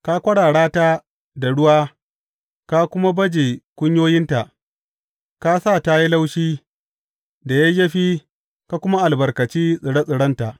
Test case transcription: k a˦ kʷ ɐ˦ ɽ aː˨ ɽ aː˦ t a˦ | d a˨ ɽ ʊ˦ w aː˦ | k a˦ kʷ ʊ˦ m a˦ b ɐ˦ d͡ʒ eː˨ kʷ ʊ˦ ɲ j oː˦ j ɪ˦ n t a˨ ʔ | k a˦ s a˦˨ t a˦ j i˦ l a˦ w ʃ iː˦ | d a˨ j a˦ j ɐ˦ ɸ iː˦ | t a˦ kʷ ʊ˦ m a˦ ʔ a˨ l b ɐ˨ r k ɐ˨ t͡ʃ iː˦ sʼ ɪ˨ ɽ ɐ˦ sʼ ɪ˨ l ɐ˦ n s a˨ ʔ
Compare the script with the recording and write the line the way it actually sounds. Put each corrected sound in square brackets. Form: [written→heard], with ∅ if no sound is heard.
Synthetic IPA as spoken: k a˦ kʷ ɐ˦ ɽ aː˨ ɽ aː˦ t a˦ | d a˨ ɽ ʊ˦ w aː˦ | k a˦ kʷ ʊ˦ m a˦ b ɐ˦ d͡ʒ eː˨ kʷ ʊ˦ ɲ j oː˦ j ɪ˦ n t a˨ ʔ | k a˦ s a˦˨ t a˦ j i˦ l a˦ w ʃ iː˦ | d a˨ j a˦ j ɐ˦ ɸ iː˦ | [t→k] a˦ kʷ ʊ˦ m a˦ ʔ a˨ l b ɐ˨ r k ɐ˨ t͡ʃ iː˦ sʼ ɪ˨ ɽ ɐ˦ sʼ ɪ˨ [l→ɽ] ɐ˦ n [s→t] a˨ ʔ